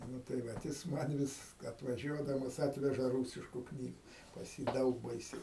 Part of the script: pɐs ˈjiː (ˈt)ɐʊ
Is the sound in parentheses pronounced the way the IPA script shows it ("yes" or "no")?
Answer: no